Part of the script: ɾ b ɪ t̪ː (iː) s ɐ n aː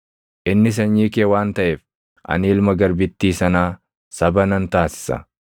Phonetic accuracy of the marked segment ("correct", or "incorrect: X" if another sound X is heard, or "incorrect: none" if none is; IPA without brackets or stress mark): correct